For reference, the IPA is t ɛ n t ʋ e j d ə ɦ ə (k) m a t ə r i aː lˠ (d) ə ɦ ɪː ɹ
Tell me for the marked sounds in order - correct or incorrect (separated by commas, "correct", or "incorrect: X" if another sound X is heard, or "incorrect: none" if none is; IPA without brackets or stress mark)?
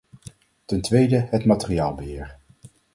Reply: incorrect: t, incorrect: b